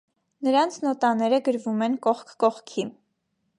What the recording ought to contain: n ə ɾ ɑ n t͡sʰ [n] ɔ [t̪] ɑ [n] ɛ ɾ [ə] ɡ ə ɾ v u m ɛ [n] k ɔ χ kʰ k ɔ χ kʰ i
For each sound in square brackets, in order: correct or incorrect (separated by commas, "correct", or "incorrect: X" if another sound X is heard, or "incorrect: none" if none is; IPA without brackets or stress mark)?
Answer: correct, correct, correct, correct, correct